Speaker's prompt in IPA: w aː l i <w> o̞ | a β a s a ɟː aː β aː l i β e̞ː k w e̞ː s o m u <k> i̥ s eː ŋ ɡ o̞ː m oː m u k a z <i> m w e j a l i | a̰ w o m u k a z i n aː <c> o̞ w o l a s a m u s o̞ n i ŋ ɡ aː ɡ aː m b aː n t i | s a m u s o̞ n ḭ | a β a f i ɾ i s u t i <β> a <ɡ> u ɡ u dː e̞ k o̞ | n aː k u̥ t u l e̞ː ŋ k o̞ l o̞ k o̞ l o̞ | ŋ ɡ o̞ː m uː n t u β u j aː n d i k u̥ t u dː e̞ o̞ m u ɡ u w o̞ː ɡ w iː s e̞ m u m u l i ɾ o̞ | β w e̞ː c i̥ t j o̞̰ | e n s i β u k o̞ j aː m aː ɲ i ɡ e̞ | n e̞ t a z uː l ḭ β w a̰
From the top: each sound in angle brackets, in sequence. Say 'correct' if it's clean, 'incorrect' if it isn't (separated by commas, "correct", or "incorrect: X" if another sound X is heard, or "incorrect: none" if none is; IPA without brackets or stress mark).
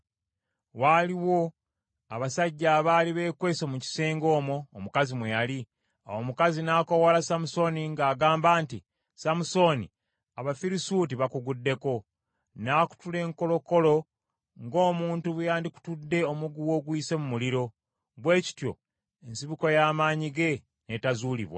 correct, incorrect: c, correct, incorrect: k, correct, incorrect: k